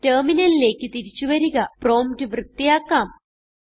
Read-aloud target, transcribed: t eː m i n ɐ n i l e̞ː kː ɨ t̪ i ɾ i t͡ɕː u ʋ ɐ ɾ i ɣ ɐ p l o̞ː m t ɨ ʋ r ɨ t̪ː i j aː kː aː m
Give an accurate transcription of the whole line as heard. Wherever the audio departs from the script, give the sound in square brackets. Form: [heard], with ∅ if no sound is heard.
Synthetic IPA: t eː m i n ɐ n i l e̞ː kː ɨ t̪ i ɾ i t͡ɕː u ʋ ɐ ɾ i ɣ ɐ p [r] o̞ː m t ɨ ʋ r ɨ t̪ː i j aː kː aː m